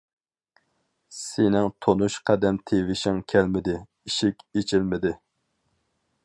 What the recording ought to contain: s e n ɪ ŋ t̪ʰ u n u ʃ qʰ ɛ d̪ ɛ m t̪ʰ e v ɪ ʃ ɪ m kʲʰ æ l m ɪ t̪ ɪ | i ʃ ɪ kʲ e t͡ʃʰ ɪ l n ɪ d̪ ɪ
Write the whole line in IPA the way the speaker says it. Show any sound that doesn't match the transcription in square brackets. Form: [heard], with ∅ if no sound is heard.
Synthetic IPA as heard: s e n ɪ ŋ t̪ʰ [o] n u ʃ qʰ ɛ d̪ ɛ m t̪ʰ e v ɪ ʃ ɪ [ŋ] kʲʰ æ l m ɪ [d̪] ɪ | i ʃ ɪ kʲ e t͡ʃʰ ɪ l [m] ɪ d̪ ɪ